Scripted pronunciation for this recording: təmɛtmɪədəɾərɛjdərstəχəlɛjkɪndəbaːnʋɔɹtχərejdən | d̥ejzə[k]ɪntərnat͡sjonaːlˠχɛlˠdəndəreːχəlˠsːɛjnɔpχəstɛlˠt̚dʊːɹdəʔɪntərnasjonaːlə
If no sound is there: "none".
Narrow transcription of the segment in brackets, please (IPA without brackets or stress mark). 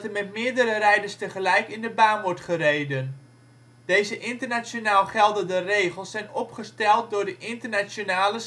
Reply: ʔ